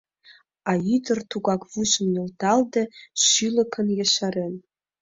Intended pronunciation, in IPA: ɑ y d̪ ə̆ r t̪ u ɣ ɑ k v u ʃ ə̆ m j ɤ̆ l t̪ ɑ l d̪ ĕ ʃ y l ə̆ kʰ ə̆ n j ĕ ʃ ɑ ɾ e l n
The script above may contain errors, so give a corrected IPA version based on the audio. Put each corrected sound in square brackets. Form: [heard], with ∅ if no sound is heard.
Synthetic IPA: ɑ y d̪ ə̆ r t̪ u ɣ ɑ k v u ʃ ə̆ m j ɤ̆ l t̪ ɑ l d̪ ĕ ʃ y l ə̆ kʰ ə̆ n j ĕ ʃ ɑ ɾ e [∅] n